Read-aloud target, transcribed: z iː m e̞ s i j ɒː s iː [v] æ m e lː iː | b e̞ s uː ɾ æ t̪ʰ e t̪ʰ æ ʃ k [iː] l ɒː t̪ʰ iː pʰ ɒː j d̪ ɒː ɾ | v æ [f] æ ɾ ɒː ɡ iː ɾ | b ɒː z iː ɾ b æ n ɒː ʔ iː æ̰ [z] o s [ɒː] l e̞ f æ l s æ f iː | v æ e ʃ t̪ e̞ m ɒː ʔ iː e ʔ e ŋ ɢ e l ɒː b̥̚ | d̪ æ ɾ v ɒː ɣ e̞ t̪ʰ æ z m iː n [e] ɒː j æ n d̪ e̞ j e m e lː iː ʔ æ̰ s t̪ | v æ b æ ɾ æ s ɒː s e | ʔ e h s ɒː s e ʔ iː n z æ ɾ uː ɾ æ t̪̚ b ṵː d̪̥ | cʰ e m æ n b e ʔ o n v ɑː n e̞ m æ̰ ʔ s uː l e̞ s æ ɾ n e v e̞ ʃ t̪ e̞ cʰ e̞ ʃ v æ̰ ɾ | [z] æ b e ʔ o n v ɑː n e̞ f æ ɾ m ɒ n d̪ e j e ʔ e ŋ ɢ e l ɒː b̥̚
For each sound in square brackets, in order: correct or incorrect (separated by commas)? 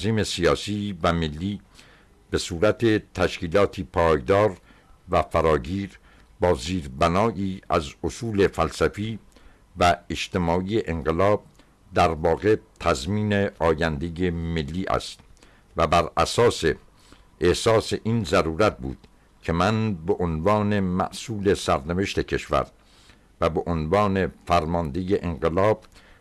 correct, correct, correct, correct, incorrect, correct, incorrect